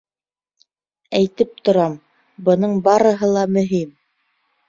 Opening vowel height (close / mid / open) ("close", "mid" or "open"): open